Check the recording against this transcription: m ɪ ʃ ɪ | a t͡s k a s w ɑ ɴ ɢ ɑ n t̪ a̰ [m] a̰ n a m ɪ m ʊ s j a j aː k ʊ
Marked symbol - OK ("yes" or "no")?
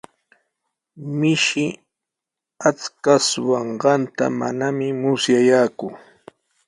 yes